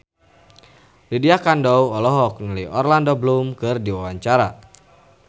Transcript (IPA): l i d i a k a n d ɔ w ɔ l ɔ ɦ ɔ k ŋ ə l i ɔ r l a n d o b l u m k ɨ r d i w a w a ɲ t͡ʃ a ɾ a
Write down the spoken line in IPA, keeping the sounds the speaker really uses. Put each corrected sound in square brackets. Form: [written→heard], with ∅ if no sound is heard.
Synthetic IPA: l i d i a k a n d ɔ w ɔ l ɔ ɦ ɔ k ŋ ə l i ɔ r l a n d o b l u m k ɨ r d i w a w a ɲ t͡ʃ a ɾ a

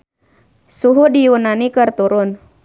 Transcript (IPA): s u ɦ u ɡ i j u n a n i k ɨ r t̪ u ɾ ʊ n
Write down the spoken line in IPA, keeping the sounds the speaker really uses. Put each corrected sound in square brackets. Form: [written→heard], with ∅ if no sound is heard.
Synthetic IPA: s u ɦ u [ɡ→d] i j u n a n i k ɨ r t̪ u ɾ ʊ n

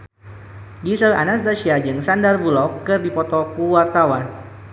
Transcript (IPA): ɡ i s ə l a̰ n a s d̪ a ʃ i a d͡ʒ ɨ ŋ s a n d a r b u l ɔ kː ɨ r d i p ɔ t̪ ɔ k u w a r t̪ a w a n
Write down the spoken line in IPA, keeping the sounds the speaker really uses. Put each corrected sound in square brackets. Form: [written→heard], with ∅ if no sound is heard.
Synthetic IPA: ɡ i s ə l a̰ n a s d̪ a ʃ i a d͡ʒ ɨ ŋ s a n d a r b u l ɔ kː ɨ r d i p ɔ t̪ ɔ k u w a r t̪ a w a n

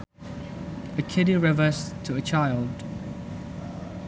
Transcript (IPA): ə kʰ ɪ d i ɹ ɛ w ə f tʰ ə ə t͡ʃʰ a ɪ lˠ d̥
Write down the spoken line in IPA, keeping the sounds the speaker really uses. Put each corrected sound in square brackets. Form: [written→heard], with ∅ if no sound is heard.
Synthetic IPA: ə kʰ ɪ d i ɹ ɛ [w→v] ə [f→s] tʰ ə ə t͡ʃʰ a ɪ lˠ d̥

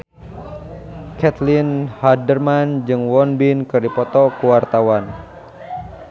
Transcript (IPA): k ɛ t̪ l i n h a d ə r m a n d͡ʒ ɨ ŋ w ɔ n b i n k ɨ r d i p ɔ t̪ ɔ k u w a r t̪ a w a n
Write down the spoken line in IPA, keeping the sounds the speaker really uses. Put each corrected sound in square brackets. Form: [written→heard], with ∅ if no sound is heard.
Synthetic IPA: k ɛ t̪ l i n h a d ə r m a n d͡ʒ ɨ ŋ w ɔ n b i n k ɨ r d i p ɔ t̪ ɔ k u w a r t̪ a w a n

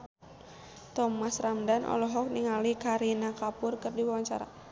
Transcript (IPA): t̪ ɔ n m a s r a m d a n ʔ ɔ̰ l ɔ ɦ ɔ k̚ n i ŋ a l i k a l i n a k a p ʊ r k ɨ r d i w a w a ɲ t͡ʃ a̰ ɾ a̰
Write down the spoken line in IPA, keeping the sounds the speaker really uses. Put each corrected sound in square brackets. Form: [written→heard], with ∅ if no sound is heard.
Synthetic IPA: t̪ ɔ [n→∅] m a s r a m d a n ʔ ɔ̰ l ɔ ɦ ɔ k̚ n i ŋ a l i k a [l→ɾ] i n a k a p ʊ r k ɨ r d i w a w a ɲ t͡ʃ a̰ ɾ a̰

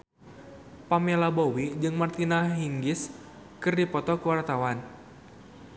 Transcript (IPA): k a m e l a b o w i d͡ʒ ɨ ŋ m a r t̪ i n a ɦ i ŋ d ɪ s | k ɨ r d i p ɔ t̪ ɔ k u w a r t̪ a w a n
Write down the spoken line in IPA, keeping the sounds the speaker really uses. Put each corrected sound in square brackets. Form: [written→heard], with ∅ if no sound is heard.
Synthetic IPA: [k→p] a m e l a b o w i d͡ʒ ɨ ŋ m a r t̪ i n a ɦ i ŋ [d→ɡ] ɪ s | k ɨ r d i p ɔ t̪ ɔ k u w a r t̪ a w a n

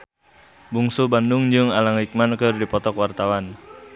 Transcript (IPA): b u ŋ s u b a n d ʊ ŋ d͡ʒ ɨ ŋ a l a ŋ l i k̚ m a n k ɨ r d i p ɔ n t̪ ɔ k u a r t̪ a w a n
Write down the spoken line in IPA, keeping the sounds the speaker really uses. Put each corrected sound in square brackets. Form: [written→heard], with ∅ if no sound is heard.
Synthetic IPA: b u ŋ s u b a n d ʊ ŋ d͡ʒ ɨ ŋ a l a ŋ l i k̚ m a n k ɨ r d i p ɔ [n→∅] t̪ ɔ k [u→w] a r t̪ a w a n

